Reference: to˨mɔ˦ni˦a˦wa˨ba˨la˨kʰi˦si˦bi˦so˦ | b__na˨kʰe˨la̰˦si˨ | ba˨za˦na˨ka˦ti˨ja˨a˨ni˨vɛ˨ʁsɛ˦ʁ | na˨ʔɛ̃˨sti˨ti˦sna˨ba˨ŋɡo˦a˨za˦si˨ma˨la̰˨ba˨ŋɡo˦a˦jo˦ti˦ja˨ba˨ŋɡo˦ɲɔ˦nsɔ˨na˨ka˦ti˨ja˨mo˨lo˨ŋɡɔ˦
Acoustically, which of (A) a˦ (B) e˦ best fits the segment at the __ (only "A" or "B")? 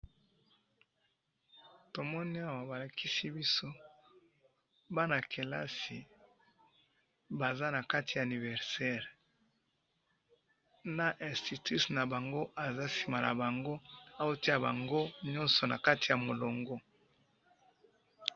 A